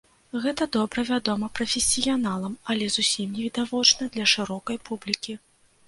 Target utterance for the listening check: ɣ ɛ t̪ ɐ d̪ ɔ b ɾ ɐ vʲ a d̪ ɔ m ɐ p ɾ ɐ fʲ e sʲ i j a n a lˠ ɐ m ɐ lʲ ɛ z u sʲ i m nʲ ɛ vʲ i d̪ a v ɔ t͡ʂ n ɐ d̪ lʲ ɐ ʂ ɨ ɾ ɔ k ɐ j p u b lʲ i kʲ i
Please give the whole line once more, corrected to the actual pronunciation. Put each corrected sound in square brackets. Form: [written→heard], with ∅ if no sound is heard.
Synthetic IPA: ɣ ɛ t̪ ɐ d̪ ɔ b ɾ ɐ vʲ a d̪ ɔ m ɐ p ɾ ɐ fʲ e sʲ i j a n a lˠ ɐ m ɐ lʲ ɛ z u sʲ i m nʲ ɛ vʲ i d̪ a v ɔ t͡ʂ n ɐ d̪ lʲ ɐ ʂ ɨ ɾ ɔ k ɐ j p u b lʲ i kʲ i